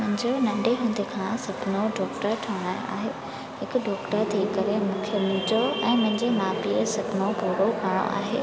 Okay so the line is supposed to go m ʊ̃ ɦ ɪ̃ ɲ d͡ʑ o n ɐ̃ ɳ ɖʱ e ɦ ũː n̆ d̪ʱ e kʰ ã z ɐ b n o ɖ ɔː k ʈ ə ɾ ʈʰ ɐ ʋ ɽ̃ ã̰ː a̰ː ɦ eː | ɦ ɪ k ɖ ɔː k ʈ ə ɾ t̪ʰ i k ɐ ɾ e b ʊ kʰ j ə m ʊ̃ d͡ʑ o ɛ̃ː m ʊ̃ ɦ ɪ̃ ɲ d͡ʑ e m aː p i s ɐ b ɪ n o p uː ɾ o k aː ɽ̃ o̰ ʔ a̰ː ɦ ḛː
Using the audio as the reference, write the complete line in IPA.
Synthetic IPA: m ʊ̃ ɦ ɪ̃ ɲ d͡ʑ o n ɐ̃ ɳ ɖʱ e ɦ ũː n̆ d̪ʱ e kʰ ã s ɐ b n o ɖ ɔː k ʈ ə ɾ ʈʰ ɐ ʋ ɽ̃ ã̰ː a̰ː ɦ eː | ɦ ɪ k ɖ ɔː k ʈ ə ɾ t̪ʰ i k ɐ ɾ e m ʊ kʰ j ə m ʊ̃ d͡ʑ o ɛ̃ː m ʊ̃ ɦ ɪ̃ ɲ d͡ʑ e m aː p i s ɐ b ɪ n o p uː ɾ o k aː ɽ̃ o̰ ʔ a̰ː ɦ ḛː

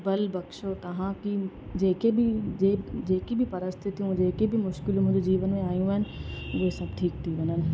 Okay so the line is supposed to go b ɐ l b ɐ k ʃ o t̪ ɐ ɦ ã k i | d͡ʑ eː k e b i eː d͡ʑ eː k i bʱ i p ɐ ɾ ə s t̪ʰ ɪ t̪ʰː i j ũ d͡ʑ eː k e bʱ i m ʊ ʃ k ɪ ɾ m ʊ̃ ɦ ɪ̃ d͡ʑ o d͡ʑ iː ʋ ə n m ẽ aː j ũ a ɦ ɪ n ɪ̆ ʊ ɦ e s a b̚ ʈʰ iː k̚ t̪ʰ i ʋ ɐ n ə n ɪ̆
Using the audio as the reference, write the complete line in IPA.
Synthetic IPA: b ɐ l b ɐ k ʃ o t̪ ɐ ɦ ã k i | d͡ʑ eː k e b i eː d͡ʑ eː k i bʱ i p ɐ ɾ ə s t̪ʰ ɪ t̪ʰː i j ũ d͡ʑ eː k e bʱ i m ʊ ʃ k ɪ l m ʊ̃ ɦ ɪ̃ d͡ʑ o d͡ʑ iː ʋ ə n m ẽ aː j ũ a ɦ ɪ n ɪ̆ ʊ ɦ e s ɐ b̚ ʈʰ iː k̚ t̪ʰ i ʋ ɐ n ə n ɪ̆

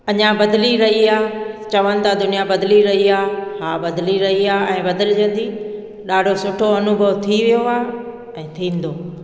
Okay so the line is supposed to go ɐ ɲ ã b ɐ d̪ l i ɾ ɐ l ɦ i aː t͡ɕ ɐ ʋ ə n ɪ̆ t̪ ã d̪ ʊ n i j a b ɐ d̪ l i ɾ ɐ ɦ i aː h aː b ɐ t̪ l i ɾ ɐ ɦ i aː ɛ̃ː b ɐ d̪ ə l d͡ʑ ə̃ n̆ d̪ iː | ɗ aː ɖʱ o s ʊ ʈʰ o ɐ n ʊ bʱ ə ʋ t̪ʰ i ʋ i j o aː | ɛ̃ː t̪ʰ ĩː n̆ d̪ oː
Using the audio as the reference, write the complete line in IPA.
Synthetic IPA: ɐ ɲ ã b ɐ d̪ l i ɾ ɐ ɦ i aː t͡ɕ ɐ ʋ ə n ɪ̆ t̪ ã d̪ ʊ n i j a b ɐ d̪ l i ɾ ɐ ɦ i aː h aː b ɐ d̪ l i ɾ ɐ ɦ i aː ɛ̃ː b ɐ d̪ ə l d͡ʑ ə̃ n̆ d̪ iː | ɗ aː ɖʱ o s ʊ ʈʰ o ɐ n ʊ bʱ ə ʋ t̪ʰ i ʋ i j o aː | ɛ̃ː t̪ʰ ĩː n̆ d̪ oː

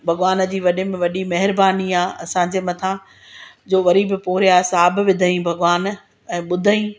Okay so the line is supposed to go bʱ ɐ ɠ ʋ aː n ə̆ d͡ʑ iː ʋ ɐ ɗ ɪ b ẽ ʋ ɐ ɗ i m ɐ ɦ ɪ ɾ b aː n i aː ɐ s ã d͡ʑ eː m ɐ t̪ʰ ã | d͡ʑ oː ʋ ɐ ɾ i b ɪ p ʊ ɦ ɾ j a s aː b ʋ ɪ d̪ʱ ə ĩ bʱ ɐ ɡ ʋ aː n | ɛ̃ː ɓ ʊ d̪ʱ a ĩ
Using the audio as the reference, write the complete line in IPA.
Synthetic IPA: bʱ ɐ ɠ ʋ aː n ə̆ d͡ʑ iː ʋ ɐ ɗ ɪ m ẽ ʋ ɐ ɗ i m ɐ ɦ ɪ ɾ b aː n i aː ɐ s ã d͡ʑ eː m ɐ t̪ʰ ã | d͡ʑ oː ʋ ɐ ɾ i b ɪ p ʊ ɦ ɾ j a s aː b ʋ ɪ d̪ʱ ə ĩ bʱ ɐ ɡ ʋ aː n | ɛ̃ː ɓ ʊ d̪ʱ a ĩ

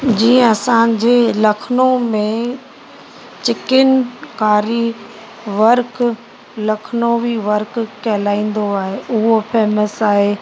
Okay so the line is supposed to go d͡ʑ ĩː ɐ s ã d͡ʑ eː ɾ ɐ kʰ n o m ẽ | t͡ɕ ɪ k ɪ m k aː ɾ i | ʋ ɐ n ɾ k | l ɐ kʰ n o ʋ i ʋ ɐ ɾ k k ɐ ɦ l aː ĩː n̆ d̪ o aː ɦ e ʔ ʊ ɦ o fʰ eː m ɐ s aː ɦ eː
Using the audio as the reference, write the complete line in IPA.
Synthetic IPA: d͡ʑ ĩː ɐ s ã d͡ʑ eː l ɐ kʰ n o m ẽ | t͡ɕ ɪ k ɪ n k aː ɾ i | ʋ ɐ ɾ k | l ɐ kʰ n o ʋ i ʋ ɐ ɾ k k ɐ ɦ l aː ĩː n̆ d̪ o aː ɦ e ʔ ʊ ɦ o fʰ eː m ə s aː ɦ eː

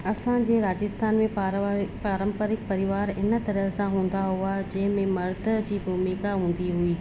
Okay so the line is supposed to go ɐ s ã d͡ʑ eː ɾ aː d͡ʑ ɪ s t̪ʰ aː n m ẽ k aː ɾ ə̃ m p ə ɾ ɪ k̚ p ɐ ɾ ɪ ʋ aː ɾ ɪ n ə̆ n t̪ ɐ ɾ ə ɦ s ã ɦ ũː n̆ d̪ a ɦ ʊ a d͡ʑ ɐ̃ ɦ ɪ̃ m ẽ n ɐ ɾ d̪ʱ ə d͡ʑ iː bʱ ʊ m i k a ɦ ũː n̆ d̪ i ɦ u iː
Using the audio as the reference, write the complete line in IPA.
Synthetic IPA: ɐ s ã d͡ʑ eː ɾ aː d͡ʑ ɪ s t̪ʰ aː n m ẽ p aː ɾ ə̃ m p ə ɾ ɪ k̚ p ɐ ɾ ɪ ʋ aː ɾ ɪ n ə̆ t̪ ɐ ɾ ə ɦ s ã ɦ ũː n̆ d̪ a ɦ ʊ a d͡ʑ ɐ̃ ɦ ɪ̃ m ẽ m ɐ ɾ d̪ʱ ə d͡ʑ iː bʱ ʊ m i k a ɦ ũː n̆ d̪ i ɦ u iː

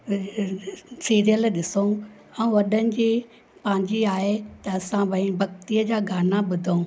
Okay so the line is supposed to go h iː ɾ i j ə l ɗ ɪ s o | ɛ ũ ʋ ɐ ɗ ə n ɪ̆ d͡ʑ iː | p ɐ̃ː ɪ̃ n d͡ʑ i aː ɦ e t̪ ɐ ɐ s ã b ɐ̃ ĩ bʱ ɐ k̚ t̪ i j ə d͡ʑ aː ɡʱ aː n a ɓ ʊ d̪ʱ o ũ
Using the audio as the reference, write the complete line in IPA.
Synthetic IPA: s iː ɾ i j ə l ɗ ɪ s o | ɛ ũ ʋ ɐ ɗ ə n ɪ̆ d͡ʑ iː | p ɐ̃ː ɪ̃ ɲ d͡ʑ i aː ɦ e t̪ ɐ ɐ s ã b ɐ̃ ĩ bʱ ɐ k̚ t̪ i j ə d͡ʑ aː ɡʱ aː n a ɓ ʊ d̪ʱ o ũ

